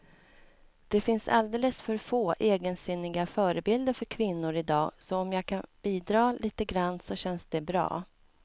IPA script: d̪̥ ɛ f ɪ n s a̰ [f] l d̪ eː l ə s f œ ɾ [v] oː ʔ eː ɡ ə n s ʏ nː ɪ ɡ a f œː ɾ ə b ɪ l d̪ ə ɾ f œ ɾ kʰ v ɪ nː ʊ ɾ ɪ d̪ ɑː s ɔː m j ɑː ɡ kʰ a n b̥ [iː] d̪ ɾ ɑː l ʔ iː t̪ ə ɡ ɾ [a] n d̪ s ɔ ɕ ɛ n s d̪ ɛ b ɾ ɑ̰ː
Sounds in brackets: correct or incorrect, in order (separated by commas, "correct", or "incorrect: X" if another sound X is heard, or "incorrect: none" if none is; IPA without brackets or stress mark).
incorrect: none, incorrect: f, correct, correct